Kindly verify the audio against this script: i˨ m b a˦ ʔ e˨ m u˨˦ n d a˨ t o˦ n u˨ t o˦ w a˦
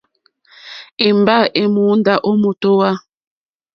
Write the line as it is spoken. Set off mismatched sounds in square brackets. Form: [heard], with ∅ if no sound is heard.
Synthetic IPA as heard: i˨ m b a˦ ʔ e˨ m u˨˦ n d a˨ [ʔ] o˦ [m] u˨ t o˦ w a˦